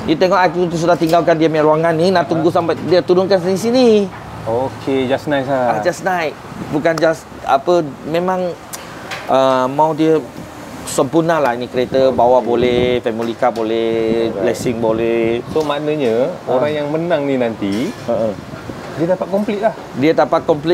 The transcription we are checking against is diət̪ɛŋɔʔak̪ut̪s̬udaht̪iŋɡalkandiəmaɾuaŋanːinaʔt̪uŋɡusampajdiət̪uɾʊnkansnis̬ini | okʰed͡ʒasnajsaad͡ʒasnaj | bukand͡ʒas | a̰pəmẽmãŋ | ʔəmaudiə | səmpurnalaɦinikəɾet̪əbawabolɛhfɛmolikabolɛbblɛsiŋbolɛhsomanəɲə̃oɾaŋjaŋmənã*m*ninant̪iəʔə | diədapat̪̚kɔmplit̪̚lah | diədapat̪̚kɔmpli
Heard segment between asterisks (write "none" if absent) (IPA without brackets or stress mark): ŋ